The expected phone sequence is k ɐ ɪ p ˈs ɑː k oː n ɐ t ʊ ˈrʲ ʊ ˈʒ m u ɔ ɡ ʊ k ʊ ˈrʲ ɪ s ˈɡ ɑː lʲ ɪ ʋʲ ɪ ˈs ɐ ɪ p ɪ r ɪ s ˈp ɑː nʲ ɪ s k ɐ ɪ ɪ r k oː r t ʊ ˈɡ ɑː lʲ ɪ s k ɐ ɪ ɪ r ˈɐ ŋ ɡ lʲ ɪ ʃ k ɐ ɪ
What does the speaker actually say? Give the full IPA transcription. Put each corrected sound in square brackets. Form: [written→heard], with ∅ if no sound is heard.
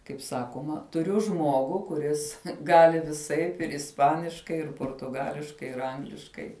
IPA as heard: k ɐ ɪ p ˈs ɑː k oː [n→m] ɐ t ʊ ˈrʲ ʊ ˈʒ m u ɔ ɡ ʊ k ʊ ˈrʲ ɪ s ˈɡ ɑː lʲ ɪ ʋʲ ɪ ˈs ɐ ɪ p ɪ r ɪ s ˈp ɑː nʲ ɪ [s→ʃ] k ɐ ɪ ɪ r [k→p] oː r t ʊ ˈɡ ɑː lʲ ɪ [s→ʃ] k ɐ ɪ ɪ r ˈɐ ŋ ɡ lʲ ɪ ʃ k ɐ ɪ

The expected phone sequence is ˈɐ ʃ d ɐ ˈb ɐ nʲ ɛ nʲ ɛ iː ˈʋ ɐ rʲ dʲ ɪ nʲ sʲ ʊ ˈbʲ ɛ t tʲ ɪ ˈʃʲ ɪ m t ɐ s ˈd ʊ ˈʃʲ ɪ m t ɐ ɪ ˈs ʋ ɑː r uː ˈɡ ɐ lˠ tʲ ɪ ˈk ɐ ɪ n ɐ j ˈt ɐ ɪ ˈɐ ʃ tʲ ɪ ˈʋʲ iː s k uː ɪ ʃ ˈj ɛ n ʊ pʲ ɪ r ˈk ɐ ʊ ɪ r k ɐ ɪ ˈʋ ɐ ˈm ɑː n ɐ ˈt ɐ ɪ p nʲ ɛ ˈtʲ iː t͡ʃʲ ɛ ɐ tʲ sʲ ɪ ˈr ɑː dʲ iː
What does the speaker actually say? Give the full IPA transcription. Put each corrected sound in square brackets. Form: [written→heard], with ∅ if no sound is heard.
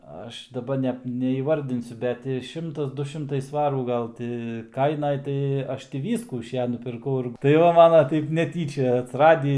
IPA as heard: ˈɐ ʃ d ɐ ˈb ɐ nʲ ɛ nʲ ɛ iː ˈʋ ɐ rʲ dʲ ɪ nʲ sʲ ʊ ˈbʲ ɛ t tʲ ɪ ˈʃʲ ɪ m t ɐ s ˈd ʊ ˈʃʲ ɪ m t ɐ ɪ ˈs ʋ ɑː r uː ˈɡ ɐ lˠ tʲ ɪ ˈk ɐ ɪ n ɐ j ˈt ɐ ɪ ˈɐ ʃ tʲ ɪ ˈʋʲ iː s k uː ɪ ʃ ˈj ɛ n ʊ pʲ ɪ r ˈk ɐ ʊ ɪ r [k→t] ɐ ɪ ˈʋ ɐ ˈm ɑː n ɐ ˈt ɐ ɪ p nʲ ɛ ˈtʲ iː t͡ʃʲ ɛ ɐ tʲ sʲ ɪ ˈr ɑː dʲ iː

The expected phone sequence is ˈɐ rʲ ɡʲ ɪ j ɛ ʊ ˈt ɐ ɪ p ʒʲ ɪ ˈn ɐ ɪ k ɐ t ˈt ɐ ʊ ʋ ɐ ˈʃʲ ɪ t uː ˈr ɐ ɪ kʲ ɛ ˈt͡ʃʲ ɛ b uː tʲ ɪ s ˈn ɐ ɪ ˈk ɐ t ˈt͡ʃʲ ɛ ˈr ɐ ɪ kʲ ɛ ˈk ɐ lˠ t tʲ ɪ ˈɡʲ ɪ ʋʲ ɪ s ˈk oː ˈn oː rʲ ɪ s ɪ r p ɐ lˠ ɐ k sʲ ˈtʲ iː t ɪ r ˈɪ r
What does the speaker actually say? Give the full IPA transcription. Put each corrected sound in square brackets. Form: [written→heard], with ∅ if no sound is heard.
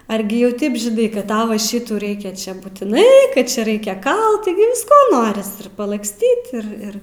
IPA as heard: ˈɐ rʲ ɡʲ ɪ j ɛ ʊ ˈt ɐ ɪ p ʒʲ ɪ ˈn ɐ ɪ k ɐ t ˈt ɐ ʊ ʋ ɐ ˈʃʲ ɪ t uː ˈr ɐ ɪ kʲ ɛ ˈt͡ʃʲ ɛ b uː tʲ ɪ [s→∅] ˈn ɐ ɪ ˈk ɐ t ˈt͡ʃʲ ɛ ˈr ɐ ɪ kʲ ɛ ˈk ɐ lˠ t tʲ ɪ ˈɡʲ ɪ ʋʲ ɪ s ˈk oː ˈn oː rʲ ɪ s ɪ r p ɐ lˠ ɐ k sʲ ˈtʲ iː t ɪ r ˈɪ r

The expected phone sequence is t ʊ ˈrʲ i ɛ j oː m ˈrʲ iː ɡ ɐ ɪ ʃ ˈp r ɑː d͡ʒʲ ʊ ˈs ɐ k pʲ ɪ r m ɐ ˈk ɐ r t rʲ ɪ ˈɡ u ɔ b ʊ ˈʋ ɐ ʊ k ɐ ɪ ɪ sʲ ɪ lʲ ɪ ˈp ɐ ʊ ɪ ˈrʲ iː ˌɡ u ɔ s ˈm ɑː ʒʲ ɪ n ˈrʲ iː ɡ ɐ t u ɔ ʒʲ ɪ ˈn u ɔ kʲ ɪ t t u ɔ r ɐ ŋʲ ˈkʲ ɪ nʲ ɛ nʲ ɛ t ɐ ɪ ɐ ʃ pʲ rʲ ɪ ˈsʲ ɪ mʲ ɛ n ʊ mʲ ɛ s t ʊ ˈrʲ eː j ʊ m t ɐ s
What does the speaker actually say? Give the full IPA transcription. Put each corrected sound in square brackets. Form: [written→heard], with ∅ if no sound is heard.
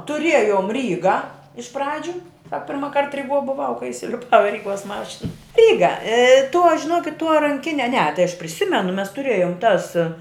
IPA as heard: t ʊ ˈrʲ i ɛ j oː m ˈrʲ iː ɡ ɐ ɪ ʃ ˈp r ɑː d͡ʒʲ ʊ ˈs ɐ k pʲ ɪ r m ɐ ˈk ɐ r t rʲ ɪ ˈɡ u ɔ b ʊ ˈʋ ɐ ʊ k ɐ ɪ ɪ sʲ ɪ lʲ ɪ ˈp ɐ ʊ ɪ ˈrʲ iː ˌɡ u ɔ s ˈm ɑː [ʒʲ→ʃʲ] ɪ n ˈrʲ iː ɡ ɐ t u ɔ ʒʲ ɪ ˈn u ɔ kʲ ɪ t t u ɔ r ɐ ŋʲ ˈkʲ ɪ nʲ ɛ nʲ ɛ t ɐ ɪ ɐ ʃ pʲ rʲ ɪ ˈsʲ ɪ mʲ ɛ n ʊ mʲ ɛ s t ʊ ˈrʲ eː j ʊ m t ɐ s

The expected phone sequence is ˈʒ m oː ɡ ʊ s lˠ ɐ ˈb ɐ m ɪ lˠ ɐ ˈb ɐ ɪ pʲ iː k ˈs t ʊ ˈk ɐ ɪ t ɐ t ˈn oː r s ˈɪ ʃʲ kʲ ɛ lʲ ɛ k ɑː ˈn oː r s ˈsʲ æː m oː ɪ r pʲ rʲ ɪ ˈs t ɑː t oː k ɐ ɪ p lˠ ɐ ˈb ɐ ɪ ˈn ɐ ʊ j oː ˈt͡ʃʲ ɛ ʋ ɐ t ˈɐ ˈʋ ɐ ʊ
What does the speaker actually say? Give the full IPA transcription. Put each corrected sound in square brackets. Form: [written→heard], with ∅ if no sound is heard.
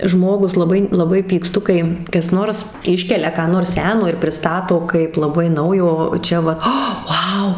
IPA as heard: ˈʒ m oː ɡ ʊ s lˠ ɐ ˈb ɐ [m→∅] ɪ lˠ ɐ ˈb ɐ ɪ pʲ iː k ˈs t ʊ ˈk ɐ ɪ [t→k] ɐ [t→s] ˈn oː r s ˈɪ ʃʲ kʲ ɛ lʲ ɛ k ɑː ˈn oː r s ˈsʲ æː [m→n] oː ɪ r pʲ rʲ ɪ ˈs t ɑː t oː k ɐ ɪ p lˠ ɐ ˈb ɐ ɪ ˈn ɐ ʊ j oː ˈt͡ʃʲ ɛ ʋ ɐ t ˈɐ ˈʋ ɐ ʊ

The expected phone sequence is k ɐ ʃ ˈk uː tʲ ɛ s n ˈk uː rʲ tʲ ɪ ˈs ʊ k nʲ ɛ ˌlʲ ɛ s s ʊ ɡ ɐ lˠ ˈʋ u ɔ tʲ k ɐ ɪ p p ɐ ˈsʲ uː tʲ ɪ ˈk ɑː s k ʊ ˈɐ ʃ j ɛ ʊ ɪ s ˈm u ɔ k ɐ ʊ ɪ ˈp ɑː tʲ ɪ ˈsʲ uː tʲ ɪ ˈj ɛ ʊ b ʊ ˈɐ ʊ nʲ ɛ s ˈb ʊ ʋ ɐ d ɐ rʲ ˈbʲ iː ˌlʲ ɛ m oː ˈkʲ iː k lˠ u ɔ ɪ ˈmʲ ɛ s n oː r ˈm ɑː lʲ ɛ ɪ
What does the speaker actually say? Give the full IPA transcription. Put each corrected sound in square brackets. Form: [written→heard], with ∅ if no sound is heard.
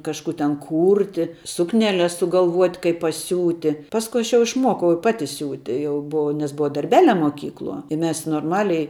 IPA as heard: k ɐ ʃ ˈk uː tʲ ɛ [s→∅] n ˈk uː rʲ tʲ ɪ ˈs ʊ k nʲ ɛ ˌlʲ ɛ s s ʊ ɡ ɐ lˠ ˈʋ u ɔ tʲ k ɐ ɪ p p ɐ ˈsʲ uː tʲ ɪ [ˈk→ˈp] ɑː s k ʊ ˈɐ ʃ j ɛ ʊ ɪ [s→ʃ] ˈm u ɔ k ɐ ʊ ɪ ˈp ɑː tʲ ɪ ˈsʲ uː tʲ ɪ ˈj ɛ ʊ b ʊ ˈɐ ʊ nʲ ɛ s ˈb ʊ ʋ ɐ d ɐ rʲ ˈbʲ [iː→æː] ˌlʲ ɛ m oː ˈkʲ iː k lˠ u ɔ ɪ ˈmʲ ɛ s n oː r ˈm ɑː lʲ ɛ ɪ

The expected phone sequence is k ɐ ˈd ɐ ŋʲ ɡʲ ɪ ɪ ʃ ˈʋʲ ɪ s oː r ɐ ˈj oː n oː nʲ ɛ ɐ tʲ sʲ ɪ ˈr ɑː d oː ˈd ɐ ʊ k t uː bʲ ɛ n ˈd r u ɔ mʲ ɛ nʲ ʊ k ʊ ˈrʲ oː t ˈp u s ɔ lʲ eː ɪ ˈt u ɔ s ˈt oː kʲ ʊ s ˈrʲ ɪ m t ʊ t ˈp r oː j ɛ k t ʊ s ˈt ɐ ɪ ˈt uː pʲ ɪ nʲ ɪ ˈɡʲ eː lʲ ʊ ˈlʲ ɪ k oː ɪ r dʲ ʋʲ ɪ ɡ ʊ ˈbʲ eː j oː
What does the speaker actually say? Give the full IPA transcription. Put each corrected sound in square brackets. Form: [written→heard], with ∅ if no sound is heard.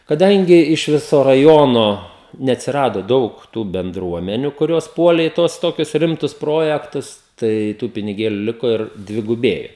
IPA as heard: k ɐ ˈd ɐ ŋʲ ɡʲ ɪ ɪ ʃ ˈʋʲ ɪ s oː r ɐ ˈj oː n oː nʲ ɛ ɐ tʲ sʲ ɪ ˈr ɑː d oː ˈd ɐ ʊ k t uː bʲ ɛ n ˈd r u ɔ mʲ ɛ nʲ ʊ k ʊ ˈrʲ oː [t→s] ˈp u [s→∅] ɔ lʲ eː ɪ ˈt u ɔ s ˈt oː kʲ ʊ s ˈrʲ ɪ m t ʊ [t→s] ˈp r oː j ɛ k t ʊ s ˈt ɐ ɪ ˈt uː pʲ ɪ nʲ ɪ ˈɡʲ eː lʲ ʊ ˈlʲ ɪ k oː ɪ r dʲ ʋʲ ɪ ɡ ʊ ˈbʲ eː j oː

